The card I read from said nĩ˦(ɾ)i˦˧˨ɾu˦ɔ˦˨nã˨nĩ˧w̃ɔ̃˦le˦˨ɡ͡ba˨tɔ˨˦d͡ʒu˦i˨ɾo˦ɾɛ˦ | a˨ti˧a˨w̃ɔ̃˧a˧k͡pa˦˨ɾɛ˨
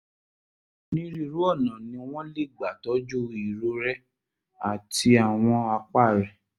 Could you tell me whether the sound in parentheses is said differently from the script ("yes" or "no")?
no